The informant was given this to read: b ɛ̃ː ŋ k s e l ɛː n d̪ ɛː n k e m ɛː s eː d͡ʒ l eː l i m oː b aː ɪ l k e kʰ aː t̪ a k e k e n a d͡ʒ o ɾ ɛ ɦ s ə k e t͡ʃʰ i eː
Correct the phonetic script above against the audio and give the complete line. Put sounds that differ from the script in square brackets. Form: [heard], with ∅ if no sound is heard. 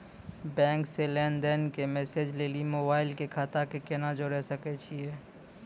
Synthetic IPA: b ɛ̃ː ŋ k s e l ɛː n d̪ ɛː n k e m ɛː s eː d͡ʒ l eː l i m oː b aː ɪ l k e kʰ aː t̪ a k e k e n a d͡ʒ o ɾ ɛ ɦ s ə k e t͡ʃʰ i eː